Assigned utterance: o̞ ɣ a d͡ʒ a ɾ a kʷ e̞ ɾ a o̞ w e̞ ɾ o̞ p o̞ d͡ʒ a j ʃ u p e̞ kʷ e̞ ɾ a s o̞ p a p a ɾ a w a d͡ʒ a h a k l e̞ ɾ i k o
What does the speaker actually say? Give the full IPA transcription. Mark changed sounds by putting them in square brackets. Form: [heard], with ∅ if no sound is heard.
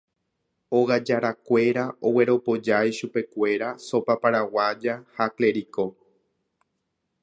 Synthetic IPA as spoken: o̞ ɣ a d͡ʒ a ɾ a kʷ e̞ ɾ a o̞ w e̞ ɾ o̞ p o̞ d͡ʒ a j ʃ u p e̞ kʷ e̞ ɾ a s o̞ p a p a ɾ a w a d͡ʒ a h a k l e̞ ɾ i k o